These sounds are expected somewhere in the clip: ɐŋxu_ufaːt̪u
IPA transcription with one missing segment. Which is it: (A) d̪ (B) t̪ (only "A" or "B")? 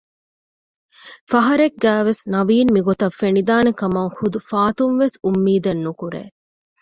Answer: A